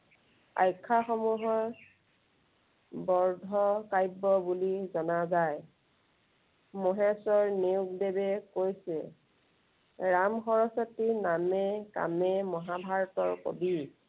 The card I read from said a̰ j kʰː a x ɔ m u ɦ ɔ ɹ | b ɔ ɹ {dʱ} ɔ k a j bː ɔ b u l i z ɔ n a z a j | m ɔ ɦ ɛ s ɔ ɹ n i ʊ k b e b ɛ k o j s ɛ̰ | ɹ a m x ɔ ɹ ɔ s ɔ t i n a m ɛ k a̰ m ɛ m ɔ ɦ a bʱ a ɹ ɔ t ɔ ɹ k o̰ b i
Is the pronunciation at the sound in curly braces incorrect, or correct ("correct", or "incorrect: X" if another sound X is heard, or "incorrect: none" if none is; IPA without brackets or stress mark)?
correct